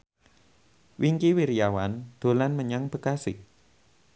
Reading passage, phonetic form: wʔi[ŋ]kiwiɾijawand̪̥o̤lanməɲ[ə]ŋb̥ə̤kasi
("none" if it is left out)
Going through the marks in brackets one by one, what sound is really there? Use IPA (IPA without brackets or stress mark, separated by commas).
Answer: ŋ, a